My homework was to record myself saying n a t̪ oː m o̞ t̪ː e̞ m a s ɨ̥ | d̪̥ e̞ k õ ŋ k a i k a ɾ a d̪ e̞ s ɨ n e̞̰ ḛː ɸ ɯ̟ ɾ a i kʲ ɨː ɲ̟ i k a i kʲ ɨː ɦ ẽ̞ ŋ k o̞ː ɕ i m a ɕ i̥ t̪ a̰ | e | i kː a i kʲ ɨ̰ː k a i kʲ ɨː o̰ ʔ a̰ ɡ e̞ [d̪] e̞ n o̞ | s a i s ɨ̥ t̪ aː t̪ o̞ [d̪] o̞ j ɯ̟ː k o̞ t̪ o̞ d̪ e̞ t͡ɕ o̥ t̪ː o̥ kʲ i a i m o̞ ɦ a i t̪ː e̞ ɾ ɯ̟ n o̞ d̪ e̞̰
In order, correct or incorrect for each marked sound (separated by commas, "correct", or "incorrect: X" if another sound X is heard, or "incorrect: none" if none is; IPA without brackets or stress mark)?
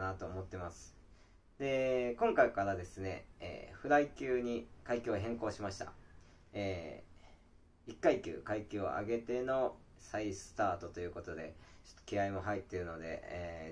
incorrect: t̪, incorrect: t̪